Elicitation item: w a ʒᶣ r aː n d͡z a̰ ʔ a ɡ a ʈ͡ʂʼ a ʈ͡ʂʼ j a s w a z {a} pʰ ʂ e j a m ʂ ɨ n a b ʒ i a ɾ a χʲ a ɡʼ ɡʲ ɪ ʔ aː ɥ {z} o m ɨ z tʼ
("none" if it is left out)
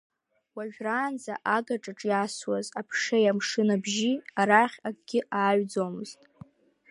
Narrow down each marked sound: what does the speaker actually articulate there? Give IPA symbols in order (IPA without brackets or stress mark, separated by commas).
a, d͡z